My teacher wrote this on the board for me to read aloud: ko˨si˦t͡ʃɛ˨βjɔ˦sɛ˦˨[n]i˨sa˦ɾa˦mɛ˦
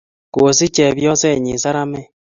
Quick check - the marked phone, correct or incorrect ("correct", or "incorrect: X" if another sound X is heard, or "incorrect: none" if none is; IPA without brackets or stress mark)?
incorrect: ɲ